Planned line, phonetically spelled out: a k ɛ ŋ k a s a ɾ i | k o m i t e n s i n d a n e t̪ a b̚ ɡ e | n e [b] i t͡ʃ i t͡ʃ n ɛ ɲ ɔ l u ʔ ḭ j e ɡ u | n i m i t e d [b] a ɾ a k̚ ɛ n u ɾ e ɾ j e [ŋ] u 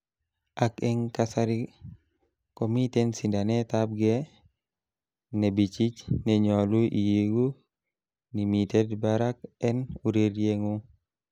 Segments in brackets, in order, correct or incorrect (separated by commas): correct, correct, correct